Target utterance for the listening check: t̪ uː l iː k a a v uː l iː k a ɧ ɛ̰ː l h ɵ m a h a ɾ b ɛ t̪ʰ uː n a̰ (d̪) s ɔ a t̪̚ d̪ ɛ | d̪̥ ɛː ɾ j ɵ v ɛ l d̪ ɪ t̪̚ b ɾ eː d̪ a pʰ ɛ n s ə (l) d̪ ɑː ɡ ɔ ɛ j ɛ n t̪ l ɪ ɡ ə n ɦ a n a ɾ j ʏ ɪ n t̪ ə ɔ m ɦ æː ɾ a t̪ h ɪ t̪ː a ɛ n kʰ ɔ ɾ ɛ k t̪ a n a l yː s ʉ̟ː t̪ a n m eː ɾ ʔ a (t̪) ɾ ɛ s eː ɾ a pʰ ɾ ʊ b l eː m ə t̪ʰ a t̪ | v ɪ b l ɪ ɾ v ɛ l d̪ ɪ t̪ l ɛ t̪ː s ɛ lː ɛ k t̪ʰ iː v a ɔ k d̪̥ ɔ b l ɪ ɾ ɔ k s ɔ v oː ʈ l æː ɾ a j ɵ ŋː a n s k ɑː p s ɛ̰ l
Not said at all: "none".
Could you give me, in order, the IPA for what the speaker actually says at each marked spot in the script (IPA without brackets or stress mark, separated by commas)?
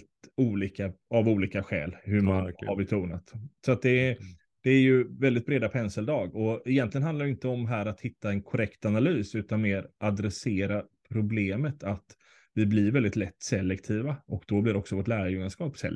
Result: t̪, l, d̪